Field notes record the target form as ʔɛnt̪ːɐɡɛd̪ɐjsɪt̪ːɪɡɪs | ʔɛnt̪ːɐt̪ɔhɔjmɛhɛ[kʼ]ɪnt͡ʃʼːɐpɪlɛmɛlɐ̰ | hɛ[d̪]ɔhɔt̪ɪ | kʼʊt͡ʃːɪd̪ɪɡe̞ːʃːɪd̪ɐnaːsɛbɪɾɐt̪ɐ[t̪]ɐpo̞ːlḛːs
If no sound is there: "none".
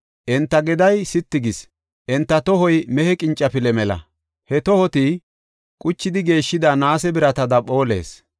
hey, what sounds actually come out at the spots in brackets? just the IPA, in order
kʼ, t̪, d̪

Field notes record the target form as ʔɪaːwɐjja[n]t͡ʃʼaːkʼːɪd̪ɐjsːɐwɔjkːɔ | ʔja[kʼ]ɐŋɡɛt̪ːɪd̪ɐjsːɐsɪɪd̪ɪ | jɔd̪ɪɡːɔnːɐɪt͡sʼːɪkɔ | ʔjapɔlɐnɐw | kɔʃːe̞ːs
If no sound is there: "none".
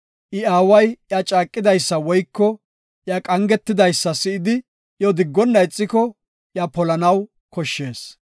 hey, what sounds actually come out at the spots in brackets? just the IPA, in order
none, kʼ

